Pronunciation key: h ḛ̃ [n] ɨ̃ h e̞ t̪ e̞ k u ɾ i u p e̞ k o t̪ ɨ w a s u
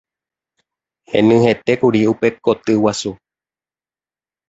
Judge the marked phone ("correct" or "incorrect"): correct